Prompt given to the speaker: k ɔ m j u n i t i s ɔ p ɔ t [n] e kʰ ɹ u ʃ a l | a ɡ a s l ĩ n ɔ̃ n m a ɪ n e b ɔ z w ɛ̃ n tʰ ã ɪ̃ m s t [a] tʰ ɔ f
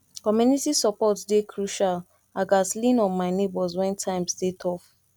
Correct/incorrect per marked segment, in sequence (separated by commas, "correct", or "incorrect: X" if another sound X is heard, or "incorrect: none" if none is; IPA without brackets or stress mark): incorrect: d, incorrect: e